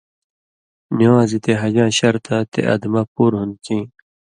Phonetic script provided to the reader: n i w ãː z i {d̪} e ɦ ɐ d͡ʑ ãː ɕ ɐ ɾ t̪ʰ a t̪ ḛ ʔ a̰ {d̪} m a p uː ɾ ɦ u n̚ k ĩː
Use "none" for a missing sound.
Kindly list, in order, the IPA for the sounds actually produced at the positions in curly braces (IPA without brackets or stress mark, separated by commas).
t̪, d̪